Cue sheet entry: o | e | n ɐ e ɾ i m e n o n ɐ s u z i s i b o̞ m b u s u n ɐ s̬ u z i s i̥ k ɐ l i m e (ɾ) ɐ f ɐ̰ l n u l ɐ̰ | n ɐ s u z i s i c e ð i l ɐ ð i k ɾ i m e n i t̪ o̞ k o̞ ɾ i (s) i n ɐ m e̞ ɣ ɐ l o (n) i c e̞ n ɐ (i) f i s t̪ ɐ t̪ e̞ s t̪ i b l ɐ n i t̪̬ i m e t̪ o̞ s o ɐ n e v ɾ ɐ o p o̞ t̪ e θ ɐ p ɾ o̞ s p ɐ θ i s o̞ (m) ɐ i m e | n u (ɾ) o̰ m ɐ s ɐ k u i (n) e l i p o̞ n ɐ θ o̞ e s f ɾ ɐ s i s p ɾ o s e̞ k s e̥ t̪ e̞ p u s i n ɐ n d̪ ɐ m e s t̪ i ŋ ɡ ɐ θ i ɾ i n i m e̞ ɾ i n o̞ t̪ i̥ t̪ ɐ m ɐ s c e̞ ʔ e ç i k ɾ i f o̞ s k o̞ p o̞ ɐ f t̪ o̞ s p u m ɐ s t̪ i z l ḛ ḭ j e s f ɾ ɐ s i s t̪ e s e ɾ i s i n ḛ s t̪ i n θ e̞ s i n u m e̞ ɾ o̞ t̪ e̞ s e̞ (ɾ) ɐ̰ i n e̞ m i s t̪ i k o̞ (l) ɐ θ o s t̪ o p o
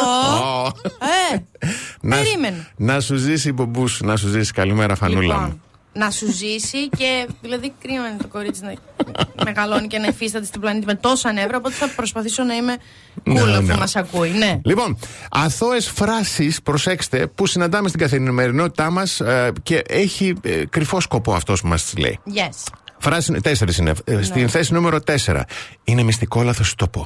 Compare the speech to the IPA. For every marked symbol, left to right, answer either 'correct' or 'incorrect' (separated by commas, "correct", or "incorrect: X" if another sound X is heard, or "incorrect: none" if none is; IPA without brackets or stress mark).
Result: correct, incorrect: t͡s, correct, correct, incorrect: n, incorrect: l, correct, correct, correct